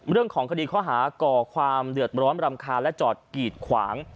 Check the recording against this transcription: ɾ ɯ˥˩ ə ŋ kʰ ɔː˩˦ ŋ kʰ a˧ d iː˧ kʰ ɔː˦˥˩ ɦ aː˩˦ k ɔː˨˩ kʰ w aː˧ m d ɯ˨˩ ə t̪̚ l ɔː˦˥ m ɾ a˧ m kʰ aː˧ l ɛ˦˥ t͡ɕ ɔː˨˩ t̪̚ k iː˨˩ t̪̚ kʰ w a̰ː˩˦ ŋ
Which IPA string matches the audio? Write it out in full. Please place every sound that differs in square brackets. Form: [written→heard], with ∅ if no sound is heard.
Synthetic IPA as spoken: ɾ ɯ˥˩ ə ŋ kʰ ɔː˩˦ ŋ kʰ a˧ d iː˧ kʰ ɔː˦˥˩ ɦ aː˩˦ k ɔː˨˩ kʰ w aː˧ m d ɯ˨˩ ə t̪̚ [l→ɾ] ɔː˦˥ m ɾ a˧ m kʰ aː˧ l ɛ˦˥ t͡ɕ ɔː˨˩ t̪̚ k iː˨˩ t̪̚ kʰ w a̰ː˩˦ ŋ